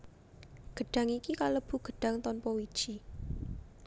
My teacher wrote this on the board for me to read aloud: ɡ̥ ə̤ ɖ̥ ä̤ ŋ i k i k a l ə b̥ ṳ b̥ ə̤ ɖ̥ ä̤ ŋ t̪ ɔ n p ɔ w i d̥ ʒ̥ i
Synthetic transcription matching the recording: ɡ̥ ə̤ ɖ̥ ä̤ ŋ i k i k a l ə b̥ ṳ ɡ̥ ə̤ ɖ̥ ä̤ ŋ t̪ ɔ n p ɔ w i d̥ ʒ̥ i